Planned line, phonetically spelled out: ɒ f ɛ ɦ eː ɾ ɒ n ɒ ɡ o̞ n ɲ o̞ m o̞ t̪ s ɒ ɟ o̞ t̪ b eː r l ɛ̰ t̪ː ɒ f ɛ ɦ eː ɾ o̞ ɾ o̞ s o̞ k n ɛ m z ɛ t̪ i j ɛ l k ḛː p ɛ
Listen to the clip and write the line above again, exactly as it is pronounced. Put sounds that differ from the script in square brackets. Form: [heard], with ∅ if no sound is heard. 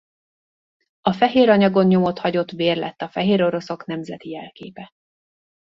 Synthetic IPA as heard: ɒ f ɛ ɦ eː ɾ ɒ [ɲ] ɒ ɡ o̞ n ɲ o̞ m o̞ t̪ [h] ɒ ɟ o̞ t̪ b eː r l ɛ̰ t̪ː ɒ f ɛ ɦ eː ɾ o̞ ɾ o̞ s o̞ k n ɛ m z ɛ t̪ i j ɛ l k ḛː p ɛ